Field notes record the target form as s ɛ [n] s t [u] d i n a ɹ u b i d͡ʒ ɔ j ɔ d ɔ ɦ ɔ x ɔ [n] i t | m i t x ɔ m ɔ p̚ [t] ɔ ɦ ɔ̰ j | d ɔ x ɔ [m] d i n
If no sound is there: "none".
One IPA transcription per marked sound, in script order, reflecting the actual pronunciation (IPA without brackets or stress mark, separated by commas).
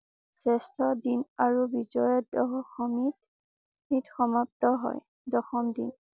none, ɔ, m, t, m